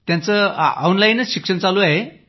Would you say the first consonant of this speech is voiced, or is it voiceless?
voiceless